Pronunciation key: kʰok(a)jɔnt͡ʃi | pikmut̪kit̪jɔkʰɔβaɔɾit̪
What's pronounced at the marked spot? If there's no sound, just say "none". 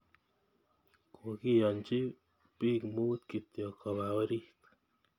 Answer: i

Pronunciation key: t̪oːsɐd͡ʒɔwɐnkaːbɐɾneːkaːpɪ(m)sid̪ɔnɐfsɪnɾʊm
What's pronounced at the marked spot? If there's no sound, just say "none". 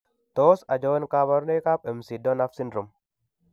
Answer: m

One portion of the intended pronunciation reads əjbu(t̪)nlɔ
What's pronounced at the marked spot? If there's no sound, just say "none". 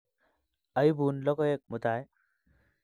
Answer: none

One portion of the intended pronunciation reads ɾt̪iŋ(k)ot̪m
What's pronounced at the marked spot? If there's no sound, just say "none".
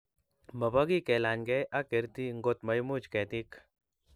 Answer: ɡ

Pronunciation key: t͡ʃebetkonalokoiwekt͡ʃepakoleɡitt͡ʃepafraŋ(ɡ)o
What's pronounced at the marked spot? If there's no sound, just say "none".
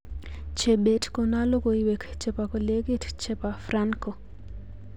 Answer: k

